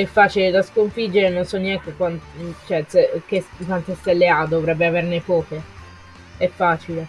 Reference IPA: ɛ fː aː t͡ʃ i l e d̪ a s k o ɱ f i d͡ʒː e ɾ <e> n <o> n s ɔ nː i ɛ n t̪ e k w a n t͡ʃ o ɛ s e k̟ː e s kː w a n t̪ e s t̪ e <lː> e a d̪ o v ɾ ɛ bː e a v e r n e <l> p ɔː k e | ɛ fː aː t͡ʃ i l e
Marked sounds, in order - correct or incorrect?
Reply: correct, correct, correct, incorrect: none

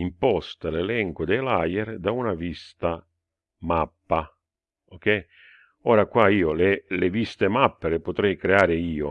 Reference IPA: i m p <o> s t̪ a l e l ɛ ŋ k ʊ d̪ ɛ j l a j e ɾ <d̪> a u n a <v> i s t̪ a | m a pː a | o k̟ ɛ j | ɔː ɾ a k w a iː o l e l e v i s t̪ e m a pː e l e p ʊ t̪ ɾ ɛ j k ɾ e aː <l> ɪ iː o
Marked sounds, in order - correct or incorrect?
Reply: incorrect: ɔ, correct, correct, incorrect: ɾ

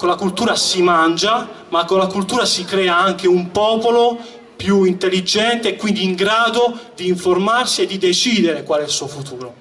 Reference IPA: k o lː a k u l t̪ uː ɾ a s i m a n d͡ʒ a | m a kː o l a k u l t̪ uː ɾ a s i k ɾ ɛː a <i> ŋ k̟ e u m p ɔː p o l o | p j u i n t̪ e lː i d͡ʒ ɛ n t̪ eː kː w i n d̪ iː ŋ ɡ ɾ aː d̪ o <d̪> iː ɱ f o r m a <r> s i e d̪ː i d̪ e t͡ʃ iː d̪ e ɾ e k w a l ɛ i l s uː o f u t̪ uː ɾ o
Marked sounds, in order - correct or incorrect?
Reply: incorrect: a, correct, correct

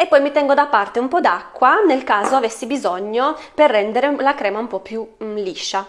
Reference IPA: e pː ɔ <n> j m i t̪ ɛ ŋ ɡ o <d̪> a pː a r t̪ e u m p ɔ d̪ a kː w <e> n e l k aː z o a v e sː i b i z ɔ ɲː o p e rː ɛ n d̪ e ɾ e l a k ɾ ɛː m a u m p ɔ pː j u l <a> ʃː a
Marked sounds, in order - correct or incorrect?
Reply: incorrect: none, correct, incorrect: a, incorrect: i

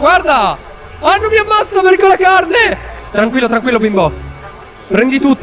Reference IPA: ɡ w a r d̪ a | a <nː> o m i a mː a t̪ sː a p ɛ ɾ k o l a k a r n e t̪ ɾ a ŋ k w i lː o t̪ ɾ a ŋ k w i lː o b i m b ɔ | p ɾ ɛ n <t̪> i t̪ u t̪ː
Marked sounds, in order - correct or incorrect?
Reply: correct, incorrect: d̪

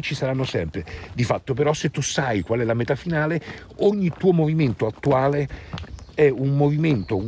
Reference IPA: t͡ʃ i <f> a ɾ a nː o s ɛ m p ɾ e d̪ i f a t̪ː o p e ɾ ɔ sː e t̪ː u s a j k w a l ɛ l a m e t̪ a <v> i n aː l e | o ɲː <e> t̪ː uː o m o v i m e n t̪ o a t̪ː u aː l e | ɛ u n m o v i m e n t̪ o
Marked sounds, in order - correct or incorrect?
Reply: incorrect: s, incorrect: f, incorrect: i

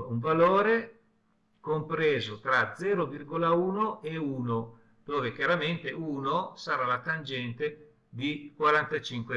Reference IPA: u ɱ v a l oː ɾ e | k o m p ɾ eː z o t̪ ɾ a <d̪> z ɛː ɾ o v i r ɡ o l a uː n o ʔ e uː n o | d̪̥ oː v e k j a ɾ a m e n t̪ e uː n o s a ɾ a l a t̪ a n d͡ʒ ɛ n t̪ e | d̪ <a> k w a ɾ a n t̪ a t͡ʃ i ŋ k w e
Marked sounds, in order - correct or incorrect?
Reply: correct, incorrect: i

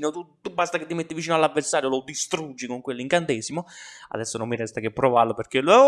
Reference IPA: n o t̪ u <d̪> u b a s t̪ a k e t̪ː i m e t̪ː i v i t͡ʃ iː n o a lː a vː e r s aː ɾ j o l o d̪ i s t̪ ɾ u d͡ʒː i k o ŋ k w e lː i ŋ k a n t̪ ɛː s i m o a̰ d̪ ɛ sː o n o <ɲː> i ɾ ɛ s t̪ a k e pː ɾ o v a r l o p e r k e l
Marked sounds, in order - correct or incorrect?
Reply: incorrect: t̪, incorrect: mː

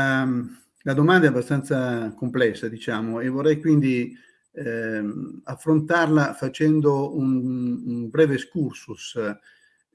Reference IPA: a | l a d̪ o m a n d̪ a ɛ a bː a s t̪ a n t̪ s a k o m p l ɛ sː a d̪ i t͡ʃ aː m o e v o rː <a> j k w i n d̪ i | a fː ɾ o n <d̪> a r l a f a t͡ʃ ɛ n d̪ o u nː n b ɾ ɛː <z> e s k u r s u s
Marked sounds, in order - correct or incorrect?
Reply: incorrect: ɛ, incorrect: t̪, incorrect: v

